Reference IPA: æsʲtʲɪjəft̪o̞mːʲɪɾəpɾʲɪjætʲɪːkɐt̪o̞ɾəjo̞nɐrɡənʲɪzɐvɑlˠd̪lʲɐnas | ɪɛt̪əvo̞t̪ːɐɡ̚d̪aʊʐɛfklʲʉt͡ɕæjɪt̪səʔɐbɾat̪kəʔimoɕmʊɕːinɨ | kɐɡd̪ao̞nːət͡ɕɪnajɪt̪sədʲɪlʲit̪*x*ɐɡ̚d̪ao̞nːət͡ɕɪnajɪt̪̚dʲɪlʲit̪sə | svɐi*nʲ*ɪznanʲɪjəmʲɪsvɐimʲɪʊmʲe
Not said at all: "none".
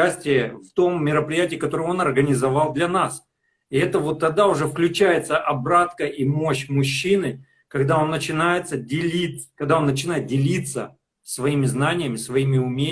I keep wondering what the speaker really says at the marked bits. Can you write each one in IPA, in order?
k, mʲ

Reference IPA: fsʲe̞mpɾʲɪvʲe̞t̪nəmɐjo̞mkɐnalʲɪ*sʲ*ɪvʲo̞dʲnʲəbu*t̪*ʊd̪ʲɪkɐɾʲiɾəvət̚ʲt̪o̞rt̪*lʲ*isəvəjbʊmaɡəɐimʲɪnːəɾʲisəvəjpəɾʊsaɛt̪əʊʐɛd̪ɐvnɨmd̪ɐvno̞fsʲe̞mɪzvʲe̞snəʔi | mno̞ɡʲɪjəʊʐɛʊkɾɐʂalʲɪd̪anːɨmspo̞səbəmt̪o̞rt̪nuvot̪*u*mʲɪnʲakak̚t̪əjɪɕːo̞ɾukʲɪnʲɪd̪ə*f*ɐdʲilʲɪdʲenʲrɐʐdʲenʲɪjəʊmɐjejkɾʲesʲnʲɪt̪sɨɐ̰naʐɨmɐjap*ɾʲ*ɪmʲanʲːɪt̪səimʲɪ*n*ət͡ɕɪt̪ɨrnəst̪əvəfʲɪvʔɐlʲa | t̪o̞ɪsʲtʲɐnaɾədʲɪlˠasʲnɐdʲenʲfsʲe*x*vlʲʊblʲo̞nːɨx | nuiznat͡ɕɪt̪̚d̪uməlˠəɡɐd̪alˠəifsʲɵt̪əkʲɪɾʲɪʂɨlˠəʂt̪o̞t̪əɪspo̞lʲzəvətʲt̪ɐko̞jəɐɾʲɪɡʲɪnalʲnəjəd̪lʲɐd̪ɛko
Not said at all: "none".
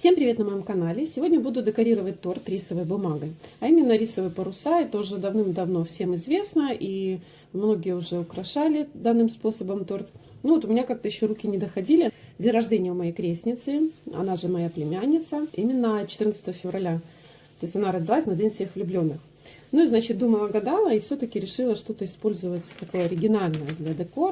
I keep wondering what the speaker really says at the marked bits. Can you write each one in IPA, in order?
sʲ, d̪, ɾʲ, ʊ, x, lʲ, nː, x

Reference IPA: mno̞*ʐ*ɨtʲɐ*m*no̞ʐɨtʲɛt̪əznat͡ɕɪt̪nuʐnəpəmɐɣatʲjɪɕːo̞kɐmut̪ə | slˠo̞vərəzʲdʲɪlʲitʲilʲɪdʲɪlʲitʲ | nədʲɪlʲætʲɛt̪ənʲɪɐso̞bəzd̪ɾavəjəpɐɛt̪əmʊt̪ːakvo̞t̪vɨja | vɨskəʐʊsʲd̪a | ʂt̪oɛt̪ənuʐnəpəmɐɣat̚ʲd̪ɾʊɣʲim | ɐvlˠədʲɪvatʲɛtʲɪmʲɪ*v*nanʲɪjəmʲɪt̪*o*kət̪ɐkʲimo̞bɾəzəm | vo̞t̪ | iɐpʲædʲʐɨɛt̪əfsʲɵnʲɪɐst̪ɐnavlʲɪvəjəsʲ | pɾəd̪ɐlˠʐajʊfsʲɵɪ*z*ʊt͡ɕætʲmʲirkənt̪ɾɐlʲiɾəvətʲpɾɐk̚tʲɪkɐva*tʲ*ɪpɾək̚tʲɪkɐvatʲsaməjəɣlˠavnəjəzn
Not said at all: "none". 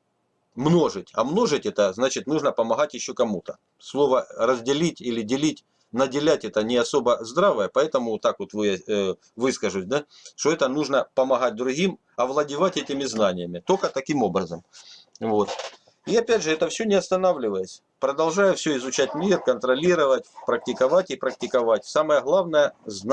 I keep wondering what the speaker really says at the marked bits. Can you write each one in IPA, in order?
ʐ, m, z, o, z, tʲ

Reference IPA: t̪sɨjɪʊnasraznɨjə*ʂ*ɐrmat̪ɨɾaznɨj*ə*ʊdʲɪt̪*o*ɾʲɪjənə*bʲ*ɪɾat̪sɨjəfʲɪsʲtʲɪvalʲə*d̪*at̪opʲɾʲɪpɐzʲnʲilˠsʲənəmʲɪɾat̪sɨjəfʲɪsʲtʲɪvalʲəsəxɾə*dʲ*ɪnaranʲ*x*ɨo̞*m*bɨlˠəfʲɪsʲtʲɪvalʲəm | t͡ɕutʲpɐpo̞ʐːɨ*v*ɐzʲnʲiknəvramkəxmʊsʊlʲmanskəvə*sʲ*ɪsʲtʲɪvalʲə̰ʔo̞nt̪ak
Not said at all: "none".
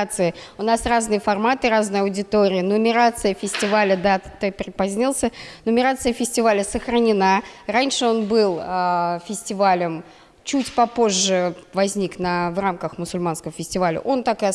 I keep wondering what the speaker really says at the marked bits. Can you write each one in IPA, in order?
f, ɐ, o, mʲ, d̪, nʲ, ʂ, n, v, fʲ

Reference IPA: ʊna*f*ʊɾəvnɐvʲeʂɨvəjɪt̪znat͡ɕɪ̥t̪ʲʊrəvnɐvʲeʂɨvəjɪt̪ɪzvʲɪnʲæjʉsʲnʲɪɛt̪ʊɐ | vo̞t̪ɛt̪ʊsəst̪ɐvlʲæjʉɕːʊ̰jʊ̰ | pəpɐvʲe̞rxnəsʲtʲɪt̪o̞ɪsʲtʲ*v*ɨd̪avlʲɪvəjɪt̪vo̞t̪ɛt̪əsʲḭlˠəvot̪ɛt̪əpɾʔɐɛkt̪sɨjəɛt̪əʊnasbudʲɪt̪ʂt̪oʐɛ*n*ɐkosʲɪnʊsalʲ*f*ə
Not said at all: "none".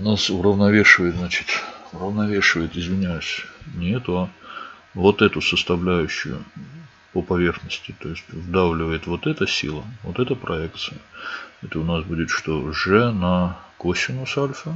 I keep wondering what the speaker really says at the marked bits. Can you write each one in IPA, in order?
s, v, n, f

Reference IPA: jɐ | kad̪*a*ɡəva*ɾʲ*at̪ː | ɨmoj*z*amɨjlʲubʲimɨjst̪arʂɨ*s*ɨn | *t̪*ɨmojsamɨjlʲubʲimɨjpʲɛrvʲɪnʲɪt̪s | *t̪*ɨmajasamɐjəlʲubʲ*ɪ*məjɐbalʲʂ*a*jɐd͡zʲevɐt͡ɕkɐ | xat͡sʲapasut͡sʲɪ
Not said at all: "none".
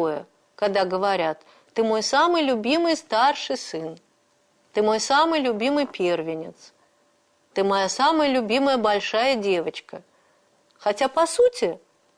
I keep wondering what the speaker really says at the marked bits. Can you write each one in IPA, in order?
a, ɾʲ, s, s, t̪, t̪, i, a

